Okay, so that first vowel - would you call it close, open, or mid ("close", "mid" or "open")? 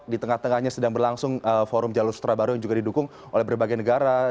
close